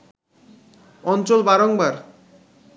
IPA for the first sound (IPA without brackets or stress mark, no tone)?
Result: ɔ